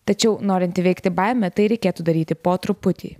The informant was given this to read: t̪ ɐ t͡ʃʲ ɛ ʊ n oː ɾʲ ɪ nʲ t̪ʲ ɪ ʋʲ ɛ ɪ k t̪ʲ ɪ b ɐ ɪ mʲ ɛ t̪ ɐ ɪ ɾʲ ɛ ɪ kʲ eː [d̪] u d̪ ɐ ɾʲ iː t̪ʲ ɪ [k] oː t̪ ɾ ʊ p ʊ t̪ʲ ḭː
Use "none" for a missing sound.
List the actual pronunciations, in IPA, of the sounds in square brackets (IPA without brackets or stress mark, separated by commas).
t̪, p